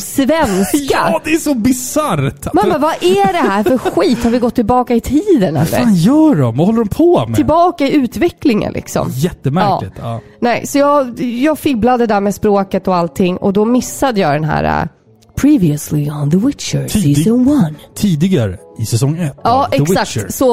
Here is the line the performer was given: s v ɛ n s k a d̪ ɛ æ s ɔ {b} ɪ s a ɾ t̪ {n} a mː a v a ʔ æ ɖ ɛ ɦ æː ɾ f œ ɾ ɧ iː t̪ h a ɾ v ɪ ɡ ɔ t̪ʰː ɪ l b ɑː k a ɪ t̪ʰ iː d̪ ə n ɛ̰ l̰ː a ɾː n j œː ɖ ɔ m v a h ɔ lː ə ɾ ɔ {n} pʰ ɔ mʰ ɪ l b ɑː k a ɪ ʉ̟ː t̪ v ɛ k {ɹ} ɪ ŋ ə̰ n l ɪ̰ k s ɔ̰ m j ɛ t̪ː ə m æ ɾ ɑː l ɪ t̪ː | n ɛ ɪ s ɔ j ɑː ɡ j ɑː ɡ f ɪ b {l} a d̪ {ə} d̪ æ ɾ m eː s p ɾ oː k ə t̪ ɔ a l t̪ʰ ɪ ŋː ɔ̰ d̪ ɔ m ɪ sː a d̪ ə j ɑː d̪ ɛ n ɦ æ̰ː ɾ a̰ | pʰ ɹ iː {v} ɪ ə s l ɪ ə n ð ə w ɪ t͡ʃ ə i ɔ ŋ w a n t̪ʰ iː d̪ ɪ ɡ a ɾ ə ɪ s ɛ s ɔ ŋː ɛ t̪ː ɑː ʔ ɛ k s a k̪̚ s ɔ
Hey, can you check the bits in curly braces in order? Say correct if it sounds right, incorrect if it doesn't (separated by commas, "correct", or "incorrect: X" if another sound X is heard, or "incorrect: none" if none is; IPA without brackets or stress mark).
correct, incorrect: m, incorrect: m, incorrect: l, correct, correct, correct